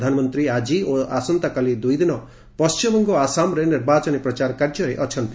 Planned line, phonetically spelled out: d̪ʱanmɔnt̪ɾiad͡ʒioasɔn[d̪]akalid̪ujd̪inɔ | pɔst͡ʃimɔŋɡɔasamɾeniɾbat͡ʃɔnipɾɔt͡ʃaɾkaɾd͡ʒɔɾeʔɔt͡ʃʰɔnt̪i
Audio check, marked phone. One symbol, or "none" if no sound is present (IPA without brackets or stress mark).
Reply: t̪